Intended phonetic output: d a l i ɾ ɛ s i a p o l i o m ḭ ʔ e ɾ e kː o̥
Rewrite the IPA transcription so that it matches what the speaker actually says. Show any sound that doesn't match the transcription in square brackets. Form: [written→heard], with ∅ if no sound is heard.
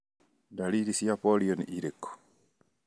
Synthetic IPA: d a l i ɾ [ɛ→i] s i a p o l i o [m→n] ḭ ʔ [e→i] ɾ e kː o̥